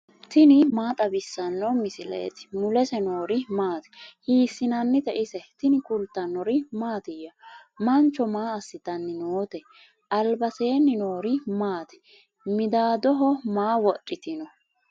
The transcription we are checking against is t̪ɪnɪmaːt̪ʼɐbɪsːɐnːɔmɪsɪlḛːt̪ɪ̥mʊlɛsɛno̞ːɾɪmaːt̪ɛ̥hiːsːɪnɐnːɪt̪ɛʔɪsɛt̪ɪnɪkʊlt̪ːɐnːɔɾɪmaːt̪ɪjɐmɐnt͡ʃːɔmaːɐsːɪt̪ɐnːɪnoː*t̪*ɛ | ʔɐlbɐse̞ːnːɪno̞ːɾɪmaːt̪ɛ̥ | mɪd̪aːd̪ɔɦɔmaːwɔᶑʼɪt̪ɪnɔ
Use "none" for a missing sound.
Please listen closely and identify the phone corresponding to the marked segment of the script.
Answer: t̪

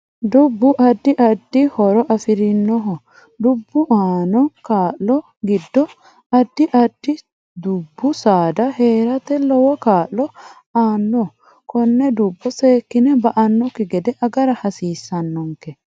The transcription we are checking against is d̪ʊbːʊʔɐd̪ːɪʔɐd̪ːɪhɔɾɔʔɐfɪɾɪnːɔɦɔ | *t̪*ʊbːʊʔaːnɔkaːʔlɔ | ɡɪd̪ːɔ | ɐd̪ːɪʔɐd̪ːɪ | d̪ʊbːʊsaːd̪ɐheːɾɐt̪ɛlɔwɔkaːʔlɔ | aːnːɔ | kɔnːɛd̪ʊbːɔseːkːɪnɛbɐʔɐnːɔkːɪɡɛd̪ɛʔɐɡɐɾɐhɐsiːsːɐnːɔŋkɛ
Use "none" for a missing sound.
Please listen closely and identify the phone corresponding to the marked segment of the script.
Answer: d̪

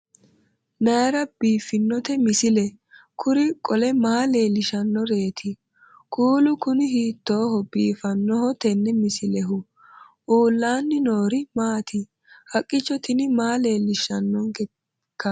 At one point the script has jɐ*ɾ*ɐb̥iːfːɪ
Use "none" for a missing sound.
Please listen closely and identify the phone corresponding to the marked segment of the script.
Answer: ɾ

